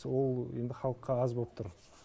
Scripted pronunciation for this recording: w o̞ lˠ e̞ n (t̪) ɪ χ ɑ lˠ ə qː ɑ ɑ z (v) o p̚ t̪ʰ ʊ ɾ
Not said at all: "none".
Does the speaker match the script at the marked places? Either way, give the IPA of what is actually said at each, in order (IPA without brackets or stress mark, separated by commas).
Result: d̪, b